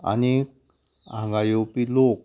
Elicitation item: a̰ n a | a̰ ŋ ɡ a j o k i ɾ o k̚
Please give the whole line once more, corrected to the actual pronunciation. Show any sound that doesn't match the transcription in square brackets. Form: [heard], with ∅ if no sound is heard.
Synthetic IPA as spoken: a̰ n [i] | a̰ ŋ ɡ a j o [p] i [l] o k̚